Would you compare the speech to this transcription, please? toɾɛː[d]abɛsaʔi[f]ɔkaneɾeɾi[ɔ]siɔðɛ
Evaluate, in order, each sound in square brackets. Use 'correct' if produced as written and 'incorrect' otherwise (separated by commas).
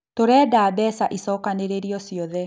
correct, incorrect, correct